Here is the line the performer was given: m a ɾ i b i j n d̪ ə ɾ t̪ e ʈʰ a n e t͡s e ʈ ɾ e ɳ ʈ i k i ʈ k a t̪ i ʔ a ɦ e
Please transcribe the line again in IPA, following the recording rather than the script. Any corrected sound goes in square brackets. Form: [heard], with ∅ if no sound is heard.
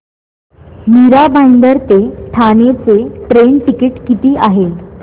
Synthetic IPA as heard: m [i] ɾ [a] b [a] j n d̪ ə ɾ t̪ e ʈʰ a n e t͡s e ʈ ɾ e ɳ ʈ i k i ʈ k [i] t̪ [iː] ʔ a ɦ e